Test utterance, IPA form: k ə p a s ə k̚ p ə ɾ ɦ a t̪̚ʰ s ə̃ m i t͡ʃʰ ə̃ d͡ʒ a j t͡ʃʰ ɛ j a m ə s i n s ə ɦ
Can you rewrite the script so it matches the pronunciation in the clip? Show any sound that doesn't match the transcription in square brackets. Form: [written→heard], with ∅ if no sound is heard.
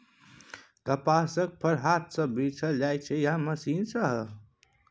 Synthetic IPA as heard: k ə p a s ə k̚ [p→pʰ] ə ɾ ɦ a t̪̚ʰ s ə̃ [m→b] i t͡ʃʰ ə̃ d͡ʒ a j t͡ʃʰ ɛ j a m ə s i n s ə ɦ